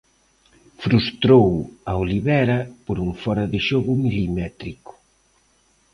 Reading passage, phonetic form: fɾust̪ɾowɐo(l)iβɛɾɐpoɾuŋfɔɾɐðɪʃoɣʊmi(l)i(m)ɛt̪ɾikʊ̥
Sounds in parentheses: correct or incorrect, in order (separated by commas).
correct, correct, correct